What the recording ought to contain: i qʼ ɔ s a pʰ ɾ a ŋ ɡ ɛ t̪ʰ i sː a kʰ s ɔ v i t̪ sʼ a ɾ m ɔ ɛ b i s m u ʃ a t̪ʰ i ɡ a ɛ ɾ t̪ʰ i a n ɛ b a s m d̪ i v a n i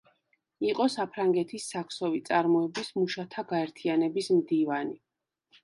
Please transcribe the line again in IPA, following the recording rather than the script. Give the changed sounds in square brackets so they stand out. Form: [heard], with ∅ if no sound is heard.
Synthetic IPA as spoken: i qʼ ɔ s a pʰ ɾ a ŋ ɡ ɛ t̪ʰ i sː a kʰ s ɔ v i t̪ sʼ a ɾ m ɔ ɛ b i s m u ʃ a t̪ʰ [a] ɡ a ɛ ɾ t̪ʰ i a n ɛ b [i] s m d̪ i v a n i